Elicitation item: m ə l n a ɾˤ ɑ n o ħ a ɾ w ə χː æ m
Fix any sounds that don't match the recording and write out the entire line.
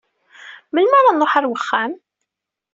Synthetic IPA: m ə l m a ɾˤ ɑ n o ħ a ɾ w ə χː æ m